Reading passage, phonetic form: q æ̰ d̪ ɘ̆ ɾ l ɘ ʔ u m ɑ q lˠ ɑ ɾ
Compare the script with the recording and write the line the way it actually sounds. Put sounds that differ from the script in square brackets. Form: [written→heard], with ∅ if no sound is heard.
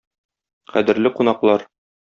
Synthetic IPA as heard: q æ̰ d̪ ɘ̆ ɾ l ɘ [ʔ→q] u [m→n] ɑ q lˠ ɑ ɾ